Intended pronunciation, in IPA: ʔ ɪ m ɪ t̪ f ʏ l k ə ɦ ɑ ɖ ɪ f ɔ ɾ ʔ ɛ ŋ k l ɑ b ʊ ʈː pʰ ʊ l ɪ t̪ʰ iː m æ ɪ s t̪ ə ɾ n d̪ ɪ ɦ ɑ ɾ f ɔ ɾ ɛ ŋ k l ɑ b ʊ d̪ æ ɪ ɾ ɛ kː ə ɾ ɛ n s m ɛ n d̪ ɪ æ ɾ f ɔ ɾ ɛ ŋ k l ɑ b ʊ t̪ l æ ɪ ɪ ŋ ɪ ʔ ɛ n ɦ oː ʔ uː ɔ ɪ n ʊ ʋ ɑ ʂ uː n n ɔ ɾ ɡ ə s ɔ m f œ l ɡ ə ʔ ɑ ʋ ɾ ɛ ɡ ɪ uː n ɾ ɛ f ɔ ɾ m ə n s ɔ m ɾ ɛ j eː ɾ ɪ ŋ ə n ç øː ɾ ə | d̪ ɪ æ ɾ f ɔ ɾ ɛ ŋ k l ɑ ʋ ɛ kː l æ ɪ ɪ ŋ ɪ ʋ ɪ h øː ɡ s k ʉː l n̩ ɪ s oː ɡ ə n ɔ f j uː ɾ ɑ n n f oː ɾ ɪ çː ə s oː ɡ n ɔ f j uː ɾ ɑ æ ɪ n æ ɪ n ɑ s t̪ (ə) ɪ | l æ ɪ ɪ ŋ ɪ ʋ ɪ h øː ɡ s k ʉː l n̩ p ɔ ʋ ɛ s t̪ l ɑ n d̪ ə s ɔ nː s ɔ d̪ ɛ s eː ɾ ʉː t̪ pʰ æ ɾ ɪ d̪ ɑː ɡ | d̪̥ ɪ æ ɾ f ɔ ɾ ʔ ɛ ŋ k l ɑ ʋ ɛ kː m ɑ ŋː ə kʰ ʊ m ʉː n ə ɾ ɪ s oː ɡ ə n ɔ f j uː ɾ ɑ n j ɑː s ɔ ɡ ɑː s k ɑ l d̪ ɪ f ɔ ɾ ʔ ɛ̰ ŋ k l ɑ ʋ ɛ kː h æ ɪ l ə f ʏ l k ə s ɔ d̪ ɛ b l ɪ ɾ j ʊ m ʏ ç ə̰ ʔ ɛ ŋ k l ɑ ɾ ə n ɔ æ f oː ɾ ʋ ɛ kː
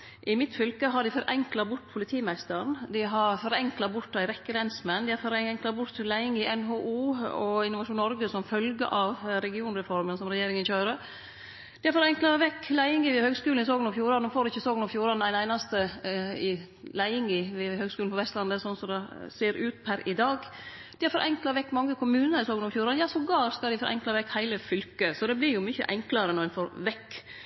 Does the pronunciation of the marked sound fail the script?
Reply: no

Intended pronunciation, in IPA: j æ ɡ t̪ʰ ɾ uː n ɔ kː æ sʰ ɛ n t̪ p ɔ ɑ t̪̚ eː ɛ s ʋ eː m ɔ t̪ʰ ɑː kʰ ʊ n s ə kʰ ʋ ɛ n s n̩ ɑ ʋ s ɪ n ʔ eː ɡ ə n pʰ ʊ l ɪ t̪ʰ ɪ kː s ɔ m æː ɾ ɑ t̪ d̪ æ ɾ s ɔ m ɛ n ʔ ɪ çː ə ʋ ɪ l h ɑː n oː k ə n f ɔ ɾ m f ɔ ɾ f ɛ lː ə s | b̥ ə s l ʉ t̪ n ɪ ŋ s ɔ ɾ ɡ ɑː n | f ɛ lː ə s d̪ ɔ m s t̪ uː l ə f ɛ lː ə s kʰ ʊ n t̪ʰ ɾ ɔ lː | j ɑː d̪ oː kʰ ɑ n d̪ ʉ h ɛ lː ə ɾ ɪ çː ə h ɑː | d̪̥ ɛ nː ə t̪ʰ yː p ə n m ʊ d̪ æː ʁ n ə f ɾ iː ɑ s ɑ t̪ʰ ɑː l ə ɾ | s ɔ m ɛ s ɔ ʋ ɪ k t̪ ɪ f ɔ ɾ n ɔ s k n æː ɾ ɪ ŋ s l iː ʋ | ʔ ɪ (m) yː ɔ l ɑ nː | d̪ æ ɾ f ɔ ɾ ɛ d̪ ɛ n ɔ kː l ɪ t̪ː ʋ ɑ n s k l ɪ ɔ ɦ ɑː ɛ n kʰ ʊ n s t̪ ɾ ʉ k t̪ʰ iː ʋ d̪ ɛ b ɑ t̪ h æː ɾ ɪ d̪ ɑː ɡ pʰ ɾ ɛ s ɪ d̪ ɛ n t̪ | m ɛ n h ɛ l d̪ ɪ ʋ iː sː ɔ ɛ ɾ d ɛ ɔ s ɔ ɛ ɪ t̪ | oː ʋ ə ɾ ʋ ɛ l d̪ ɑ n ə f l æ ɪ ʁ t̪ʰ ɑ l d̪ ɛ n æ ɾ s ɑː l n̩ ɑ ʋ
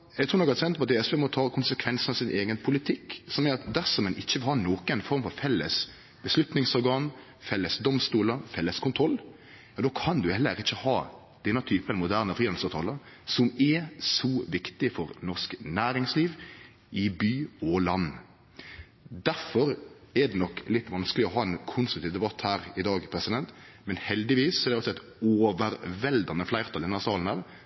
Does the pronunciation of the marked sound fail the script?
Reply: yes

